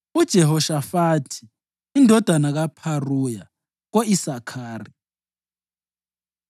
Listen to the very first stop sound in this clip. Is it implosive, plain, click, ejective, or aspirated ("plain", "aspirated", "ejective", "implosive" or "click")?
plain